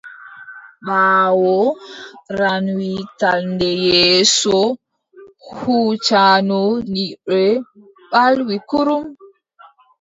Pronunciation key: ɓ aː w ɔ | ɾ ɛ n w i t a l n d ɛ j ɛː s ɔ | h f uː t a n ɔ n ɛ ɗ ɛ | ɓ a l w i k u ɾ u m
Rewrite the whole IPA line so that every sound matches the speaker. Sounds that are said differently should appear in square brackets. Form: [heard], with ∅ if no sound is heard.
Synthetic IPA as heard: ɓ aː w ɔ | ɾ [a] n w i t a l n d ɛ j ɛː s ɔ | h [h] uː [t͡ʃ] a n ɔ n [i] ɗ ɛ | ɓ a l w i k u ɾ u m